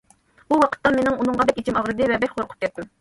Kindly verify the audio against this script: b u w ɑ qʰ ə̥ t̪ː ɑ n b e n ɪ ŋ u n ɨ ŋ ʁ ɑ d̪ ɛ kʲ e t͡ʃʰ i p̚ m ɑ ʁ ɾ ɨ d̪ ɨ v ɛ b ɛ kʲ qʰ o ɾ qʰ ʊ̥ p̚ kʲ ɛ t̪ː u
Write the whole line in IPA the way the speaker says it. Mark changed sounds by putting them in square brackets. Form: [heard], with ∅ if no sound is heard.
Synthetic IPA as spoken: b u w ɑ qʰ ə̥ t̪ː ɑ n [m] e n ɪ ŋ u n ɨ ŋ ʁ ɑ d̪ ɛ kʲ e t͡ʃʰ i [∅] m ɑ ʁ ɾ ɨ d̪ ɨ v ɛ b ɛ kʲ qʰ o ɾ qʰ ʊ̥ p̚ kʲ ɛ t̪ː u